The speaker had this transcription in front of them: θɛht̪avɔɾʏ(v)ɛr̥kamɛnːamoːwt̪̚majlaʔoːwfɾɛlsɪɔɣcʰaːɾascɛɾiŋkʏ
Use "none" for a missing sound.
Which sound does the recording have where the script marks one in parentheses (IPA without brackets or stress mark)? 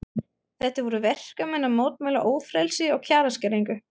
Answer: v